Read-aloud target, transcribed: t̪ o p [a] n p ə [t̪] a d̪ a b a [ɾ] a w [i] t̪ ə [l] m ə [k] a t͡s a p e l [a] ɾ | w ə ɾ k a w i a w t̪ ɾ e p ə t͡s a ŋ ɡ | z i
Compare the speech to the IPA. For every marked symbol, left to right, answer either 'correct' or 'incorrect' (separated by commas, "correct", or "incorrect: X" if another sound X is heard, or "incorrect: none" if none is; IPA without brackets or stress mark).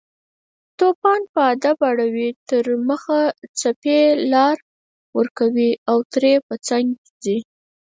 incorrect: ɑ, incorrect: none, incorrect: ɽ, correct, incorrect: ɾ, incorrect: x, incorrect: ɑ